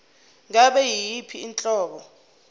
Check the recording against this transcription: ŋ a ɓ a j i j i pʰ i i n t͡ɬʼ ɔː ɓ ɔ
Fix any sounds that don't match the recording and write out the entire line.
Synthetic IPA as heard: ŋ a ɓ ɛ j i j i pʰ i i n t͡ɬʼ ɔː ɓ ɔ